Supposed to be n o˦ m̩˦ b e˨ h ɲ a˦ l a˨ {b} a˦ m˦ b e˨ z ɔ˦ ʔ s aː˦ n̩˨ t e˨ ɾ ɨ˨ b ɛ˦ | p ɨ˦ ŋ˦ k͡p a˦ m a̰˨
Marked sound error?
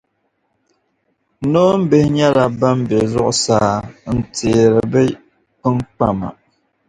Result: no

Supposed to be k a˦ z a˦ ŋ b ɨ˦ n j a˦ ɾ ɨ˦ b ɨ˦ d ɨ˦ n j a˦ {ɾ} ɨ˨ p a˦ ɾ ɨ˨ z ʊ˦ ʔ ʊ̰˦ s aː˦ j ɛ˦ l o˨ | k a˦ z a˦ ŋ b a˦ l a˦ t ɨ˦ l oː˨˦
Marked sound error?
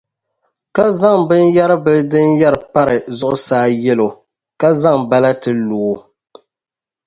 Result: no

